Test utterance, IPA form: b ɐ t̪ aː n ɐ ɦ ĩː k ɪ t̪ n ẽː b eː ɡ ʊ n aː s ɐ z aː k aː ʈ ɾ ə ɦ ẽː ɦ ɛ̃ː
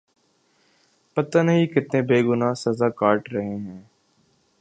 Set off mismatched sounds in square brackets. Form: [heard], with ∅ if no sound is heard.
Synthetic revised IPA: [p] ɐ t̪ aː n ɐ ɦ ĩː k ɪ t̪ n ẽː b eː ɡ ʊ n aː s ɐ z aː k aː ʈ ɾ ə ɦ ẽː ɦ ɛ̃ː